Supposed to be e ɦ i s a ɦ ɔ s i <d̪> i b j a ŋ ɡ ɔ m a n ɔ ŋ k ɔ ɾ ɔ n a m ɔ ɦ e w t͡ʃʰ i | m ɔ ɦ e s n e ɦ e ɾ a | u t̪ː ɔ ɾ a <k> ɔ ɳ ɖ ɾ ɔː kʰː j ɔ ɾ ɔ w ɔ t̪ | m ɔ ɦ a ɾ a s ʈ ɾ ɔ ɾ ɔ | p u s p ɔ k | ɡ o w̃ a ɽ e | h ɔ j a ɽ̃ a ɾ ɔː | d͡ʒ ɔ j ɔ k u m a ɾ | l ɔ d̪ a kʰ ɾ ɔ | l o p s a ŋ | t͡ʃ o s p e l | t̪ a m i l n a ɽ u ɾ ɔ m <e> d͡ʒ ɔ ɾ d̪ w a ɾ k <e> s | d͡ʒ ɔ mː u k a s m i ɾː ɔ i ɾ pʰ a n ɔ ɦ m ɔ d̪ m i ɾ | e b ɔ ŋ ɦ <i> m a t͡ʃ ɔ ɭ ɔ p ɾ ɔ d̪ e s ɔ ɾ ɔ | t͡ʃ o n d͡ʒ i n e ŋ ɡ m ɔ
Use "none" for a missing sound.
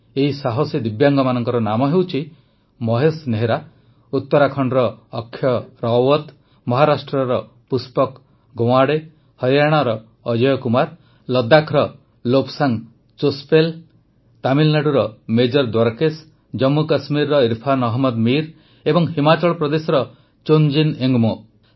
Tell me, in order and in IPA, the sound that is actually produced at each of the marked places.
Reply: d̪, kʰ, e, e, i

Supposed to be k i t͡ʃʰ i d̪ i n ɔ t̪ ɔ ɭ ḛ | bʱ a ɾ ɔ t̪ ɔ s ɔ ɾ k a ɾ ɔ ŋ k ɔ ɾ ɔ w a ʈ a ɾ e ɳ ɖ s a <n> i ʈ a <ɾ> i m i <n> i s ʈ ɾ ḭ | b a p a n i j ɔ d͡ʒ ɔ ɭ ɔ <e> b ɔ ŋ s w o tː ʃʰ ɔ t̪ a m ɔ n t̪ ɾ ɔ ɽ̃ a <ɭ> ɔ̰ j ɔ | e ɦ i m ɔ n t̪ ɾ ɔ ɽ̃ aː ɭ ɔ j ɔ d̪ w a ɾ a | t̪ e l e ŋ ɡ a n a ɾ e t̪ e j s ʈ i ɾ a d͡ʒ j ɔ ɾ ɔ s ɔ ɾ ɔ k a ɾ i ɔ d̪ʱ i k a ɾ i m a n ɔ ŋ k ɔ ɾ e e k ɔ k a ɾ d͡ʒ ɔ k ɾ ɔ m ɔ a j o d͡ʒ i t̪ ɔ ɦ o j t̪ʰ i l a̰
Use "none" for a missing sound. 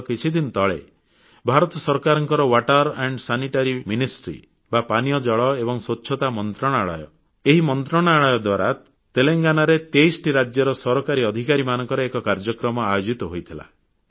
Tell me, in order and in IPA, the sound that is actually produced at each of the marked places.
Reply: n, ɾ, n, e, ɭ

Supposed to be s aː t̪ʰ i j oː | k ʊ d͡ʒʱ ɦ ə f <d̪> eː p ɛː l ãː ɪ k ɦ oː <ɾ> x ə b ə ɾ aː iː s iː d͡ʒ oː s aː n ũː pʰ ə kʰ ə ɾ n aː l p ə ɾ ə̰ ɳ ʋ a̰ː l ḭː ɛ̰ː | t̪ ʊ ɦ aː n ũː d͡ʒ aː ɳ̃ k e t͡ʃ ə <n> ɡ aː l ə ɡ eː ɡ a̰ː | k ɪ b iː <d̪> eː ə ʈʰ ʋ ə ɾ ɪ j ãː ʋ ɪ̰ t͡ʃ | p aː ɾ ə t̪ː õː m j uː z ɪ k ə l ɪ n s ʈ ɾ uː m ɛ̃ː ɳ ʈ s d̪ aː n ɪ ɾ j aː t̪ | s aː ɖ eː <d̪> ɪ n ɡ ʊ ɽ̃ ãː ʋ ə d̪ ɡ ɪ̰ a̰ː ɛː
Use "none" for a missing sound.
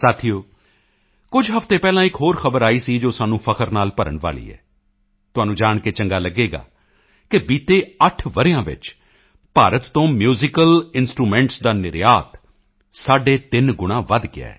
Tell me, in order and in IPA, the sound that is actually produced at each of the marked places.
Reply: t̪, ɾ, ŋ, t̪, t̪

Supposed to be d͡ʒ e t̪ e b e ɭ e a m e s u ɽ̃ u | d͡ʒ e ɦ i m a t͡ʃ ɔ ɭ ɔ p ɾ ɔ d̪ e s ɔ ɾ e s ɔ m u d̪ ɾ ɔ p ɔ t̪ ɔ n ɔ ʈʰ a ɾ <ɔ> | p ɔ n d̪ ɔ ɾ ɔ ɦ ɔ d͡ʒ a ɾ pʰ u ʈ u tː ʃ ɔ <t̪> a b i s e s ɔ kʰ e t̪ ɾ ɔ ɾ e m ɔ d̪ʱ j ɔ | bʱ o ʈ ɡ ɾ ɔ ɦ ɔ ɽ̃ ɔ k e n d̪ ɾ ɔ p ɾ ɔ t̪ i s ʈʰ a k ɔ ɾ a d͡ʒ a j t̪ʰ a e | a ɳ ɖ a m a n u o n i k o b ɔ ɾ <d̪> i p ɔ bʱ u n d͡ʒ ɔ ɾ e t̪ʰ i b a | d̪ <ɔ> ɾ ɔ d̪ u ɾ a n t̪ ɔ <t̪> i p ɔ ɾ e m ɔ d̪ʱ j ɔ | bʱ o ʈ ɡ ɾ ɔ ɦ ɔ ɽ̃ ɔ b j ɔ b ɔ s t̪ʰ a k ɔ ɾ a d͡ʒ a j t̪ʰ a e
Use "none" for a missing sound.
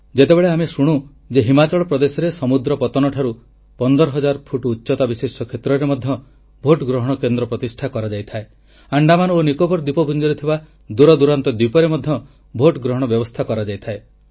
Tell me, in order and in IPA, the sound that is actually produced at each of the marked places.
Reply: u, t̪, d̪, u, d̪

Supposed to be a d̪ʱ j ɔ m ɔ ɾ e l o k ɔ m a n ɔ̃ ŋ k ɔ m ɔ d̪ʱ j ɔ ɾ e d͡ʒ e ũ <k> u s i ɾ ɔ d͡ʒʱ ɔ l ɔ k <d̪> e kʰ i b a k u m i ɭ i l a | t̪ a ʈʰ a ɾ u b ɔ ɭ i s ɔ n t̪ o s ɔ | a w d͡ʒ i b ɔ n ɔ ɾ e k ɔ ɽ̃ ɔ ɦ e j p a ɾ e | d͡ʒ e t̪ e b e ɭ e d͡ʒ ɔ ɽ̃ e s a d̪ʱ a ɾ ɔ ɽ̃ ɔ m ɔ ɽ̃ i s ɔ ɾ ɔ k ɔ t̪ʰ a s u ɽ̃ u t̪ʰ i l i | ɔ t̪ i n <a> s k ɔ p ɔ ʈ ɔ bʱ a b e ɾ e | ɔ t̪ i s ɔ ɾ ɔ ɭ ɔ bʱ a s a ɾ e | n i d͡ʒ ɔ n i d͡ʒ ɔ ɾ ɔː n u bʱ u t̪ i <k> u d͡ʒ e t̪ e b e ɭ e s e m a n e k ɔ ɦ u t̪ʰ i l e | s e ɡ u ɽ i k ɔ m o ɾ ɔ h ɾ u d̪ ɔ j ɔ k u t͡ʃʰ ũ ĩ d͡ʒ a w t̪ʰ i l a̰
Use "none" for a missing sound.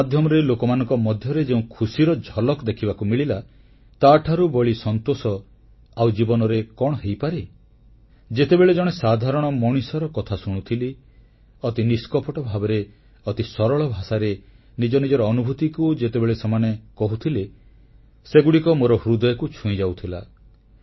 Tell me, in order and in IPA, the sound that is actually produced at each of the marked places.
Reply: kʰ, d̪, i, k

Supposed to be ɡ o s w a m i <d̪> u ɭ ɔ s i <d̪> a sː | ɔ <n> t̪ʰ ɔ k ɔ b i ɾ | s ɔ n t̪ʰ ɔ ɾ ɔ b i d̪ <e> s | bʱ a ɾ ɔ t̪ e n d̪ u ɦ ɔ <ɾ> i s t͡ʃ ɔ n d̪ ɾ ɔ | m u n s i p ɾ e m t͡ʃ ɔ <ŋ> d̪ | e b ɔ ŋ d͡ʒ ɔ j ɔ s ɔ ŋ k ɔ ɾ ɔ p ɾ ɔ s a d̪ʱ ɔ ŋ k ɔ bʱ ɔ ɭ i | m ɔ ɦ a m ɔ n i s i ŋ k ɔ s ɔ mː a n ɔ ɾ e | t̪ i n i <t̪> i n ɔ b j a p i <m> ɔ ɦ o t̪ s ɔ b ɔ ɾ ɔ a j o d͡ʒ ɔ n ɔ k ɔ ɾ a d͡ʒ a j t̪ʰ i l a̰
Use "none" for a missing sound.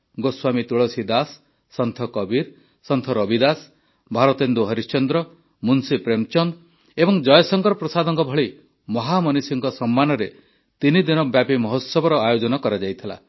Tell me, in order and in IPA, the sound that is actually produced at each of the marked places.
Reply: t̪, d̪, n, a, ɾ, n, d̪, m

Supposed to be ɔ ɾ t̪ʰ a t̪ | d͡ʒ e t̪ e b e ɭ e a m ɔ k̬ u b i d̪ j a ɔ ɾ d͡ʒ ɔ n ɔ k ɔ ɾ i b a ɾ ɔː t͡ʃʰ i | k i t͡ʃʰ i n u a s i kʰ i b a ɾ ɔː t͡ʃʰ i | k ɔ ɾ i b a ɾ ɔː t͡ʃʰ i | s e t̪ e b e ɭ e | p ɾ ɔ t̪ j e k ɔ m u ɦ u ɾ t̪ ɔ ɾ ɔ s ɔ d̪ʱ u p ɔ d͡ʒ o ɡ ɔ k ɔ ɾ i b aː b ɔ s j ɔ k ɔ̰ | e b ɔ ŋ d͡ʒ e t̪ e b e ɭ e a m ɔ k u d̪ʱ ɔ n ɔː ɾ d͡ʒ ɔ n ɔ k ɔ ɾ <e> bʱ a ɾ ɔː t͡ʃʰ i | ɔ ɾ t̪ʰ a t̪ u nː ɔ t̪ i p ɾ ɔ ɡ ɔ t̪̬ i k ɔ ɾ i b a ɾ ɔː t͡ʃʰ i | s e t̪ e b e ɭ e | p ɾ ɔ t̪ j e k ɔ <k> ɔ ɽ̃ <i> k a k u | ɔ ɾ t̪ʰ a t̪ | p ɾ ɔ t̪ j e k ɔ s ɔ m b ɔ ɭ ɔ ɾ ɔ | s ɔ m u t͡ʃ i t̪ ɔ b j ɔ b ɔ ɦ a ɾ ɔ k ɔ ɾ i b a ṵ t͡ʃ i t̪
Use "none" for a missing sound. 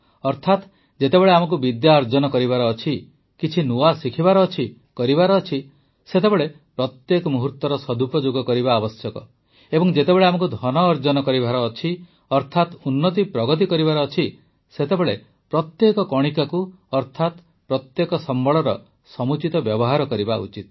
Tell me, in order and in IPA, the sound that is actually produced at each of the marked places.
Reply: i, k, i

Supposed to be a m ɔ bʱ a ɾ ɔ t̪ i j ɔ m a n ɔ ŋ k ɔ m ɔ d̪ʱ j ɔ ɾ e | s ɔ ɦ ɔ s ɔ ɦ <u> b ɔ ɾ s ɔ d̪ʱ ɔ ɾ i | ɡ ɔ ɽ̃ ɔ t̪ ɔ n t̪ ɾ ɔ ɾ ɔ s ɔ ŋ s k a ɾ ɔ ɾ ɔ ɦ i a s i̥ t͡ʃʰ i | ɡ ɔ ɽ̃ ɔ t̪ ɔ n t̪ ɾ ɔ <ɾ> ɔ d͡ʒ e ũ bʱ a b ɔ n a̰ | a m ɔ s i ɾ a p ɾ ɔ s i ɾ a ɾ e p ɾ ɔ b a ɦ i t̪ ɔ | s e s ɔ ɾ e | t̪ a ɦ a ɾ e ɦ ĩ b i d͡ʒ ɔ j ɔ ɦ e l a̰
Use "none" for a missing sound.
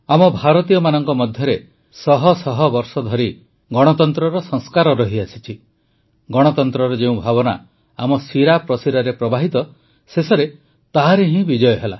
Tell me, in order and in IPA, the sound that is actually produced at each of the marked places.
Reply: ɔ, ɾ

